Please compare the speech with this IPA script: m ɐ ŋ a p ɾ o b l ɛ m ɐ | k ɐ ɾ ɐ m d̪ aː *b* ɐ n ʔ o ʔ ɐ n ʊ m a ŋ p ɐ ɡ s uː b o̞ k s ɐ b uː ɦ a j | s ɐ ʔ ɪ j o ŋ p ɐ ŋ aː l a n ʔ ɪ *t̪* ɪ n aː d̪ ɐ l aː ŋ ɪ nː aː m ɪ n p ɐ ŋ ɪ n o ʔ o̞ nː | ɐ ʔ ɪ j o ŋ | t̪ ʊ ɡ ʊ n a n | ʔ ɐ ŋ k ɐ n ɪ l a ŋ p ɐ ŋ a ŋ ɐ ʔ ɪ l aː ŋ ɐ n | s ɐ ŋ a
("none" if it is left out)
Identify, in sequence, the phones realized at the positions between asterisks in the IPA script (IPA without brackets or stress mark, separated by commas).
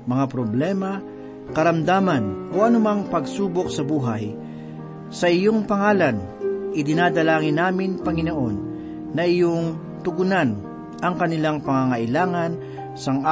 m, d̪